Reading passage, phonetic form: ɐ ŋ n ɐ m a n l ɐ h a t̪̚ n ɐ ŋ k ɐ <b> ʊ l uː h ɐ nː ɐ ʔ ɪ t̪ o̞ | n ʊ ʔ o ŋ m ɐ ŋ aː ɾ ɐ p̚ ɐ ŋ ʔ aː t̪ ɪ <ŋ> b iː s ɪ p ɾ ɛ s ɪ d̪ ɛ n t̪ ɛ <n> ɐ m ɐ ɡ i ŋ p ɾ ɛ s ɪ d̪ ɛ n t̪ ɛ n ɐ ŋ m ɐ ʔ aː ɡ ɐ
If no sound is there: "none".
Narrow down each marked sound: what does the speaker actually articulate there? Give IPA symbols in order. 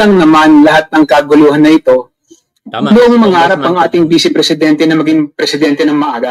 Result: ɡ, ŋ, n

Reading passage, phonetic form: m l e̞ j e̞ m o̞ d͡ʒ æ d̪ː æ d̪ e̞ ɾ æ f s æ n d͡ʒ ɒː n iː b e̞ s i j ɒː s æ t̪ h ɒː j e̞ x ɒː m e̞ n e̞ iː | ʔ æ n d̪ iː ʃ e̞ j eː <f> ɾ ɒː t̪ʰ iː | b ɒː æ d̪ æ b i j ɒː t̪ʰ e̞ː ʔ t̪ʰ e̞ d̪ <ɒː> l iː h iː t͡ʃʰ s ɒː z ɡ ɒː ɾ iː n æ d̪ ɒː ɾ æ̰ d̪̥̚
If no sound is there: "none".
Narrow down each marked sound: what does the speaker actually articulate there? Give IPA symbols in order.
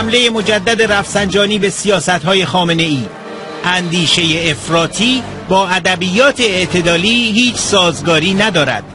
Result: f, ɒː

